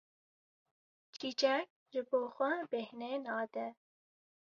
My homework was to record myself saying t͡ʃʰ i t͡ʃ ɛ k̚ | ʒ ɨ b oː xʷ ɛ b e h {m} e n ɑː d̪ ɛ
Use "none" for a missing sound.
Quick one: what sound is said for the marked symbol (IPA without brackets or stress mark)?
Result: n